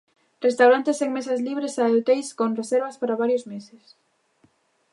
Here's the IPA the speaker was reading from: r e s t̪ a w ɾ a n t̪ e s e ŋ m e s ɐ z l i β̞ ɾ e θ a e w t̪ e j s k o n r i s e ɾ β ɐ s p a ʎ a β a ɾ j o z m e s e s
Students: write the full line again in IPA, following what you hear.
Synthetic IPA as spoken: r e s t̪ a w ɾ a n t̪ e s e ŋ m e s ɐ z l i β̞ ɾ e s a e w t̪ e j s k o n r e s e ɾ β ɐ s p a ɾ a β a ɾ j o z m e s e s